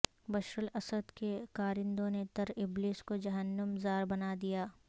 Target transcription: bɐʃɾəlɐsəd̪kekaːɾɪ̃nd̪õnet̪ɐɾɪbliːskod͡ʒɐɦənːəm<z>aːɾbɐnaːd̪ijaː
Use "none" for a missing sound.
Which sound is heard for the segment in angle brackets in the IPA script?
z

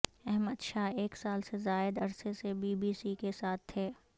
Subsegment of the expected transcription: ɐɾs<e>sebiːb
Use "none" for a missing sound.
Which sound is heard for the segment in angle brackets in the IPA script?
e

